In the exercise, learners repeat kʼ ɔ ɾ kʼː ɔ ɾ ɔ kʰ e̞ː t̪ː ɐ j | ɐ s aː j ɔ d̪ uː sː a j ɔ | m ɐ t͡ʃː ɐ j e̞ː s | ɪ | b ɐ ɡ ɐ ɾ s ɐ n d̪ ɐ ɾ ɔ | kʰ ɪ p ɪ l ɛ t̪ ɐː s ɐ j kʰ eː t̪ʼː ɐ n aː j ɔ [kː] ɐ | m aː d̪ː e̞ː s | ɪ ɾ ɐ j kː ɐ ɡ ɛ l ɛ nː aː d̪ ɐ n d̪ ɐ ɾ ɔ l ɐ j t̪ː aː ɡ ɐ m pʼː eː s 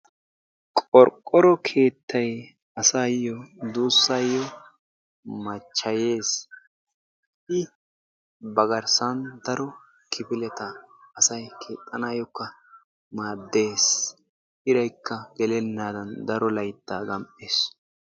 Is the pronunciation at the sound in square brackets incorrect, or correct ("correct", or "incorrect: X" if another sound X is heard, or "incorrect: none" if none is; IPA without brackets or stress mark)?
correct